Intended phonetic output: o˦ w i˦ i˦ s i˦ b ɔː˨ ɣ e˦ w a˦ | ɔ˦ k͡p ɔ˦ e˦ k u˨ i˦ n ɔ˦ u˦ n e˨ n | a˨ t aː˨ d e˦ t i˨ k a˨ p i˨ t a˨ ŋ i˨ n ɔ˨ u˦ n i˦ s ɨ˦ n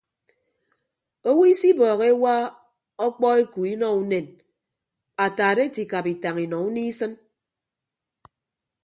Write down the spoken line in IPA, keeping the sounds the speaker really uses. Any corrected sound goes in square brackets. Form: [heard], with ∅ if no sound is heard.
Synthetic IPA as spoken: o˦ w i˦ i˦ s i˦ b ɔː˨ ɣ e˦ w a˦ | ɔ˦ k͡p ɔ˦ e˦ k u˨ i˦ n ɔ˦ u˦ n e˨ n | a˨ t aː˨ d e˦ t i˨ k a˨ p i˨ t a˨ ŋ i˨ n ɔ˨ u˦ n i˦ s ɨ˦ n